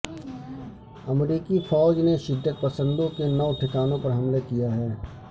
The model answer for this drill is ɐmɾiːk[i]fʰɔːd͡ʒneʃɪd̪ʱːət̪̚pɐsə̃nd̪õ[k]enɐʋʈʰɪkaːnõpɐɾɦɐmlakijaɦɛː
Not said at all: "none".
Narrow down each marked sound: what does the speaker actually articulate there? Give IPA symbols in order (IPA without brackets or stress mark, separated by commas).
i, k